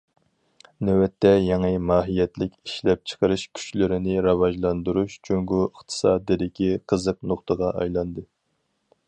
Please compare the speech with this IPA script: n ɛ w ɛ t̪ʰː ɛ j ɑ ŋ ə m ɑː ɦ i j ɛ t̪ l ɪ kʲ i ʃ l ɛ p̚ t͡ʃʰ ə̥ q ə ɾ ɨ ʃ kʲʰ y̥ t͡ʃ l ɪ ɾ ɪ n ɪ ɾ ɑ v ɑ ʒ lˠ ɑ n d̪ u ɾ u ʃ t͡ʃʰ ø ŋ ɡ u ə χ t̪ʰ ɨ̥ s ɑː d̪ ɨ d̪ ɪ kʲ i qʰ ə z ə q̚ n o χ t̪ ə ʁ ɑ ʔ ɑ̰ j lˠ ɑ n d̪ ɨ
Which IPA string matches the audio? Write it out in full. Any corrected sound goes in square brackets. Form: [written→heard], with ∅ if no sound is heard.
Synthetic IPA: n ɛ w ɛ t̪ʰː ɛ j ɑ ŋ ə m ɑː ɦ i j ɛ t̪ l ɪ kʲ i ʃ l ɛ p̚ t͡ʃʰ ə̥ q ə ɾ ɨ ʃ kʲʰ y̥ t͡ʃ l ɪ ɾ ɪ n ɪ ɾ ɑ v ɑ ʒ lˠ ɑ n d̪ u ɾ u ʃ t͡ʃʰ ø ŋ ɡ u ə χ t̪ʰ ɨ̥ s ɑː d̪ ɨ d̪ ɪ kʲ i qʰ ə z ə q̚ n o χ t̪ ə ʁ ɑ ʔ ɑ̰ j lˠ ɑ n d̪ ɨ

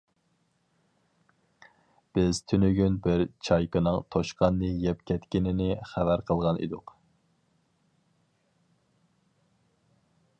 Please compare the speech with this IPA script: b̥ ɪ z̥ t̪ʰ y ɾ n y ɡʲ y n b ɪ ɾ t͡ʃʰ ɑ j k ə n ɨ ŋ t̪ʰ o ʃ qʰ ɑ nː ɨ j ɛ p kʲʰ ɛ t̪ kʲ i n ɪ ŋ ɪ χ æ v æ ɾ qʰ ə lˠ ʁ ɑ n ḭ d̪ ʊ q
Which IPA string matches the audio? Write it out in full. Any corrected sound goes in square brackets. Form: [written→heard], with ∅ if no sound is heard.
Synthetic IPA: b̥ ɪ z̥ t̪ʰ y [ɾ→∅] n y ɡʲ y n b ɪ ɾ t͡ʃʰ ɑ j k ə n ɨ ŋ t̪ʰ o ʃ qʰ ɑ nː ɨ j ɛ p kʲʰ ɛ t̪ kʲ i n ɪ [ŋ→n] ɪ χ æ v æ ɾ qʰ ə lˠ ʁ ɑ n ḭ d̪ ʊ q

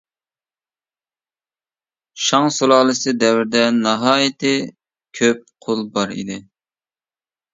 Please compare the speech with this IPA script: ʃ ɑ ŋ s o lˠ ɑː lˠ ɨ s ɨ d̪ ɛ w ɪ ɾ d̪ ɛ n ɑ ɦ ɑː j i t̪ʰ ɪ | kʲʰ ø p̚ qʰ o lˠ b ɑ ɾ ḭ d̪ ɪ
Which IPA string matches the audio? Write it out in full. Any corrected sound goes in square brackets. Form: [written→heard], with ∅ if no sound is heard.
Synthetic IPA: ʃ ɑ ŋ s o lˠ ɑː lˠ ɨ s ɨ d̪ ɛ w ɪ ɾ d̪ ɛ n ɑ ɦ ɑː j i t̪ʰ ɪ | kʲʰ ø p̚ qʰ o lˠ b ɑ ɾ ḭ d̪ ɪ

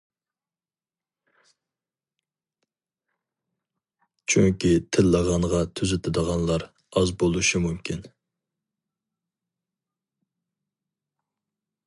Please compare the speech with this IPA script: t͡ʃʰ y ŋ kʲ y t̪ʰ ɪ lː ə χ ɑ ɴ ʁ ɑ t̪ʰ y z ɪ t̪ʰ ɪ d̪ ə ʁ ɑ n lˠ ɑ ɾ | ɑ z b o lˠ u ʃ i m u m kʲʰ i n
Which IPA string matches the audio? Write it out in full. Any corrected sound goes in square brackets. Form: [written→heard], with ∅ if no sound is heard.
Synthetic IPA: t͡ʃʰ y ŋ kʲ [y→i] t̪ʰ ɪ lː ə [χ→ʁ] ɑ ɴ ʁ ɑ t̪ʰ y z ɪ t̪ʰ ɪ d̪ ə ʁ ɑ n lˠ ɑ ɾ | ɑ z b o lˠ u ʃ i m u m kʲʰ i n

